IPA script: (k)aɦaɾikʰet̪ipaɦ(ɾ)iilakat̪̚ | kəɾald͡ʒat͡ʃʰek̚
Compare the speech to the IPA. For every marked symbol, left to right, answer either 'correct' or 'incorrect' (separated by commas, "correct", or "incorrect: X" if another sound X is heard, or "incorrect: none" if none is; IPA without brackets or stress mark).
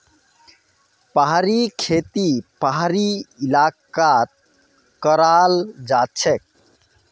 incorrect: p, correct